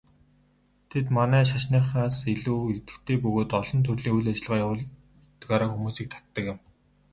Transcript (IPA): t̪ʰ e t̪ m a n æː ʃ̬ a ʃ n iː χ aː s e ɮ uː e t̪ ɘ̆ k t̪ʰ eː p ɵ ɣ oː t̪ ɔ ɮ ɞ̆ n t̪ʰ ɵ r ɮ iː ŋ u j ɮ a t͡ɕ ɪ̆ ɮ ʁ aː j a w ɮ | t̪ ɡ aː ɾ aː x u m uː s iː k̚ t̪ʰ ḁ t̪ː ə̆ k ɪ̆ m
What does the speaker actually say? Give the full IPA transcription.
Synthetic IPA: t̪ʰ e t̪ m a n æː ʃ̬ a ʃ n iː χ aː s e ɮ uː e t̪ ɘ̆ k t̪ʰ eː p ɵ ɣ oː t̪ ɔ ɮ ɞ̆ n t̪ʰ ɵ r ɮ iː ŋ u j ɮ a t͡ɕ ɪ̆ ɮ ʁ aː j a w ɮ | t̪ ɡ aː ɾ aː x u m uː s iː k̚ t̪ʰ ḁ t̪ː ə̆ k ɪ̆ m

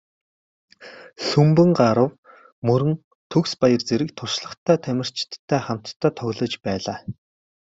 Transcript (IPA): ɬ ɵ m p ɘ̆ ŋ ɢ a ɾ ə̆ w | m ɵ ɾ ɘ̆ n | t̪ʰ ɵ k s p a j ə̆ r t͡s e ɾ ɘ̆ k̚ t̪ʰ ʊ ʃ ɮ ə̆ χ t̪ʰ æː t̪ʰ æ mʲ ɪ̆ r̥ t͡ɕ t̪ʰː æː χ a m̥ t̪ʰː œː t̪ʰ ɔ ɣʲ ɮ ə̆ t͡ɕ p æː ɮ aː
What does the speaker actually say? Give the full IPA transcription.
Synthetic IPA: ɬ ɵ m p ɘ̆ ŋ ɢ a ɾ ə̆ w | m ɵ ɾ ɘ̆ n | t̪ʰ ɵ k s p a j ə̆ r t͡s e ɾ ɘ̆ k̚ t̪ʰ ʊ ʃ ɮ ə̆ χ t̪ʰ æː t̪ʰ æ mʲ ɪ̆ r̥ t͡ɕ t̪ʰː æː χ a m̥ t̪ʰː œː t̪ʰ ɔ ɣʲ ɮ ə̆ t͡ɕ p æː ɮ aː

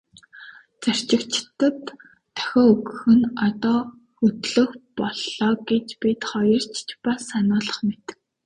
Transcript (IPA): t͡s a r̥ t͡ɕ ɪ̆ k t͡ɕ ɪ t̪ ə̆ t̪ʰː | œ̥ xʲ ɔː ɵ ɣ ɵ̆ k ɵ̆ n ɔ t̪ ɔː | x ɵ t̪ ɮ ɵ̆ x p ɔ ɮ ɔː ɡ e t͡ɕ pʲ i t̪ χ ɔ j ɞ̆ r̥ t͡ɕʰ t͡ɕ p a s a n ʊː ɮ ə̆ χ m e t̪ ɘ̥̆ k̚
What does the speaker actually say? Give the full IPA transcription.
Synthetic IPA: t͡s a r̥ t͡ɕ ɪ̆ k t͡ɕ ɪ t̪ ə̆ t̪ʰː | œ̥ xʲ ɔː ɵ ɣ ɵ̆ x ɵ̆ n ɔ t̪ ɔː | x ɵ t̪ ɮ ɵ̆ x p ɔ ɮ ɔː ɡ e t͡ɕ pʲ i t̪ χ ɔ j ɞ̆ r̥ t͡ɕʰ t͡ɕ p a s a n ʊː ɮ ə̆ χ m e t̪ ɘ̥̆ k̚

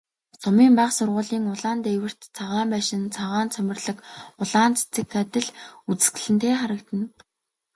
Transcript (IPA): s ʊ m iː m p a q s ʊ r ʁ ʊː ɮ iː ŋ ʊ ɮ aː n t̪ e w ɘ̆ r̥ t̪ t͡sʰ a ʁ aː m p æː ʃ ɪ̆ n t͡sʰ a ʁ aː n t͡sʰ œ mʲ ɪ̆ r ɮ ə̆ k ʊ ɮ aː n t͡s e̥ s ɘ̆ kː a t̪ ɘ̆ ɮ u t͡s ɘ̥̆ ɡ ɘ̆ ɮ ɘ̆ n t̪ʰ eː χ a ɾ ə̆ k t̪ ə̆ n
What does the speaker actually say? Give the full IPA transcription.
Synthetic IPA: s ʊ m iː m p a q s ʊ r ʁ ʊː ɮ iː ŋ ʊ ɮ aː n t̪ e w ɘ̆ r̥ t̪ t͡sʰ a ʁ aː m p æː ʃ ɪ̆ n t͡sʰ a ʁ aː n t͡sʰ œ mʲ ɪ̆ r ɮ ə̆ k ʊ ɮ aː n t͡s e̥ t͡s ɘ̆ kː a t̪ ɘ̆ ɮ u t͡s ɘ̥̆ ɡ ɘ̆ ɮ ɘ̆ n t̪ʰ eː χ a ɾ ə̆ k t̪ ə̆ n

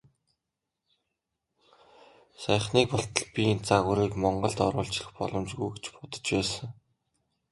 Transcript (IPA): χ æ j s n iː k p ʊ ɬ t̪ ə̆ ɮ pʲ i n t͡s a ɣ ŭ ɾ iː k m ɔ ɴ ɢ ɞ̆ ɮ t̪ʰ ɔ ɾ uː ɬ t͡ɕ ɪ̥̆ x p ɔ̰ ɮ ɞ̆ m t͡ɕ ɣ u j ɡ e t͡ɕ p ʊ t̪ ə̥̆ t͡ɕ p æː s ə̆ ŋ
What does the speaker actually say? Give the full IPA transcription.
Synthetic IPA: s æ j χ n iː k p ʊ ɬ t̪ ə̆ ɮ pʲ i n t͡s a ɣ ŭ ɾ iː k m ɔ ɴ ɢ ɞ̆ ɮ t̪ ɔ ɾ ʊː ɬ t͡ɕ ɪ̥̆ x p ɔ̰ ɮ ɞ̆ m t͡ɕ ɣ u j ɡ e t͡ɕ p ʊ t̪ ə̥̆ t͡ɕ p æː s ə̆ ŋ

